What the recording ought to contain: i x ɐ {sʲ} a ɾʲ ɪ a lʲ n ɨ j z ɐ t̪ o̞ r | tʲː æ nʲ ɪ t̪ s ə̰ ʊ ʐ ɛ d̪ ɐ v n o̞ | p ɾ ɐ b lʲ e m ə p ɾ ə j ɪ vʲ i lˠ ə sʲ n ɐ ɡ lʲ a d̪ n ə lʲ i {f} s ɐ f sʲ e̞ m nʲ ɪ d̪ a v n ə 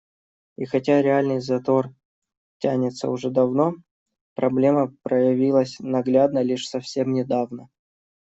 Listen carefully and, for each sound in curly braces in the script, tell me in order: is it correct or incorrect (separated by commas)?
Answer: incorrect, incorrect